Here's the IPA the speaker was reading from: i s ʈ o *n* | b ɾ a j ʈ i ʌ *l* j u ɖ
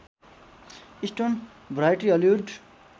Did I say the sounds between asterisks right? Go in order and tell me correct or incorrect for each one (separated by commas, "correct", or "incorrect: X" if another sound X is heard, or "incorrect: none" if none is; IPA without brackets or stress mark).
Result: correct, correct